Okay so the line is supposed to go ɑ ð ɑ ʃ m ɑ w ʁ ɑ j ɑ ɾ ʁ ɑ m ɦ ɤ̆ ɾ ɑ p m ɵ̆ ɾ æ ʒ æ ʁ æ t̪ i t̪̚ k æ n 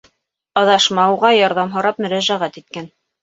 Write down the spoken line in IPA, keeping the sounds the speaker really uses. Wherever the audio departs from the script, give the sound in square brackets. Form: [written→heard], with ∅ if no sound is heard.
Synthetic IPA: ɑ ð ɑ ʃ m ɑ w ʁ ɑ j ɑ ɾ [ʁ→ð] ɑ m ɦ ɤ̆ ɾ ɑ p m ɵ̆ ɾ æ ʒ æ ʁ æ t̪ i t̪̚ k æ n